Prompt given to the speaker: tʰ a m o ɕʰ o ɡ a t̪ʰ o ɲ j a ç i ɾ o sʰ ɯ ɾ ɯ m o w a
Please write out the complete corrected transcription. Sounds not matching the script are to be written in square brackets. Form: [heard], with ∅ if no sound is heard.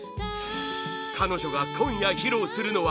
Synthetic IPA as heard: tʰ a [n] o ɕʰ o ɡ a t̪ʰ o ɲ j a ç i ɾ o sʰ ɯ ɾ ɯ [n] o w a